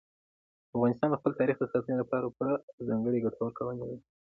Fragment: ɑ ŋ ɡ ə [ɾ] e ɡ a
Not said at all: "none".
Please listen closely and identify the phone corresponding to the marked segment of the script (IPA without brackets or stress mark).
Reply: ɽ